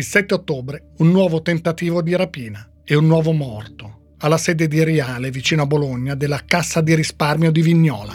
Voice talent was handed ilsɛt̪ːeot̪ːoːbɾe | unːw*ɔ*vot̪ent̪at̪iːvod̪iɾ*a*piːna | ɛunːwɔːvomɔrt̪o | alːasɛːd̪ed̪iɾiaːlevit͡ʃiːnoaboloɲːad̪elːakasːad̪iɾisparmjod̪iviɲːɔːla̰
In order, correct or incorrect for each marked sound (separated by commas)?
incorrect, correct